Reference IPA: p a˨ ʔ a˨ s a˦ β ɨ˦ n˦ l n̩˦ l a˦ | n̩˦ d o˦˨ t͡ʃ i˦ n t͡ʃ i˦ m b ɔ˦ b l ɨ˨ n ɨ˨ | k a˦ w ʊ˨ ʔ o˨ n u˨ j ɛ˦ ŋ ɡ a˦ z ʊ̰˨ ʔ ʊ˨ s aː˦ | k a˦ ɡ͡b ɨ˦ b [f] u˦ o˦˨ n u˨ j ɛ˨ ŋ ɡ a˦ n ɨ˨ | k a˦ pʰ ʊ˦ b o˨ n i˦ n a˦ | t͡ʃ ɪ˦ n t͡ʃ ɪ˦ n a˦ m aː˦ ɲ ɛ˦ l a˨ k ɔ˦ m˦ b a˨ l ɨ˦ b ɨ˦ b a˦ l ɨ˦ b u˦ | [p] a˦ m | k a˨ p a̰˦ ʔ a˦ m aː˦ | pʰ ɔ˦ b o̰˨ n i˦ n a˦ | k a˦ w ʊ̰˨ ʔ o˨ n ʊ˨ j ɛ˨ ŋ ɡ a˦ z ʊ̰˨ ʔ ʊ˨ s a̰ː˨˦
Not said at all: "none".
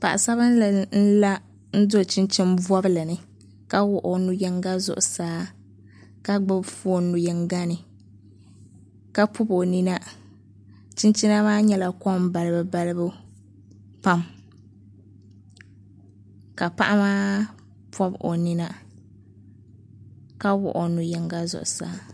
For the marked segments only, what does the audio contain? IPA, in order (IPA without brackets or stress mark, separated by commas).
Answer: f, p